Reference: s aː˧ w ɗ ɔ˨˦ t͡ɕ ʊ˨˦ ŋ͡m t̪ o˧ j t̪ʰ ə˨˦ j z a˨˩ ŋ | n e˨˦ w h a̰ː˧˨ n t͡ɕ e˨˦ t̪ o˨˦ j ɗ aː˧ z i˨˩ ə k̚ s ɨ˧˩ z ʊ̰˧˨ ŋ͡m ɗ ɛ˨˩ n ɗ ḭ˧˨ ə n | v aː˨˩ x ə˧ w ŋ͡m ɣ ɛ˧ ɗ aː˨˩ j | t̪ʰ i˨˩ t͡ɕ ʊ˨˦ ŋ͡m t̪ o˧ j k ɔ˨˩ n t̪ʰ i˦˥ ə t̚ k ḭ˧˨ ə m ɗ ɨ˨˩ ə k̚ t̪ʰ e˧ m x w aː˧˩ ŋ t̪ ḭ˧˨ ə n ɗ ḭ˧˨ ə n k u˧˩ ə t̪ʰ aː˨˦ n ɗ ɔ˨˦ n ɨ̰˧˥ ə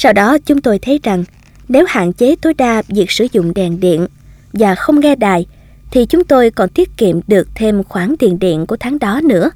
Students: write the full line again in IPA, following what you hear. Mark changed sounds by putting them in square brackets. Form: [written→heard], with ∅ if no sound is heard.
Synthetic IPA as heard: s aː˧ w ɗ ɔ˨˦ t͡ɕ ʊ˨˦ ŋ͡m t̪ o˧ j t̪ʰ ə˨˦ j z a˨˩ ŋ | n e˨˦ w h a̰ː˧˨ n t͡ɕ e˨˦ t̪ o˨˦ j ɗ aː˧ [z→v] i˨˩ ə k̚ s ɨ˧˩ z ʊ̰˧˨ ŋ͡m ɗ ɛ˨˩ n ɗ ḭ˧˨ ə n | v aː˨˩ x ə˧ w ŋ͡m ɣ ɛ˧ ɗ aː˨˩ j | t̪ʰ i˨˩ t͡ɕ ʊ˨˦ ŋ͡m t̪ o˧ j k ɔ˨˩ n [t̪ʰ→t̪] i˦˥ ə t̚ k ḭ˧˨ ə m ɗ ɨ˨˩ ə k̚ t̪ʰ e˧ m x w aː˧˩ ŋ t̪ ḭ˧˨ ə n ɗ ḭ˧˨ ə n k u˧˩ ə t̪ʰ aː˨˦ [n→ŋ] ɗ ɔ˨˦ n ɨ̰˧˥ ə